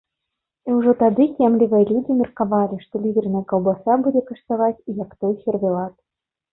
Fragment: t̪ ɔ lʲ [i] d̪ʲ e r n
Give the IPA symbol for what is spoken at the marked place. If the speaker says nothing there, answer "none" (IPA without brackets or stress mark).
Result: i